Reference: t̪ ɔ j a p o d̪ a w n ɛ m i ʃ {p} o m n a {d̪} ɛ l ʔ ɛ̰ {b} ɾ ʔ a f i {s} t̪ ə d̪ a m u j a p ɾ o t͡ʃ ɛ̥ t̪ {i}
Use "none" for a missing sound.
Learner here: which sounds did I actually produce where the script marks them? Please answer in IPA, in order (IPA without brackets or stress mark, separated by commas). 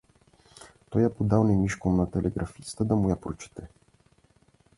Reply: k, t̪, ɡ, s, ɛ